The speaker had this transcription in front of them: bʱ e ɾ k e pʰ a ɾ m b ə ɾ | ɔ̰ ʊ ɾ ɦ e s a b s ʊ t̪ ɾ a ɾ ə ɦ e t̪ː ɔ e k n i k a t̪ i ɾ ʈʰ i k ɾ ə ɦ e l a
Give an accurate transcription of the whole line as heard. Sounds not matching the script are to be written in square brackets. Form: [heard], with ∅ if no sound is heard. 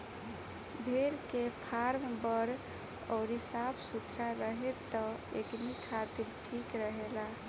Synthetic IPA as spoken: bʱ e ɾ k e pʰ a ɾ m b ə ɾ | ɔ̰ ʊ ɾ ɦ [i] s a b s [u] t̪ ɾ a ɾ ə ɦ e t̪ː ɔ e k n i [kʰ] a t̪ i ɾ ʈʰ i k ɾ ə ɦ e l a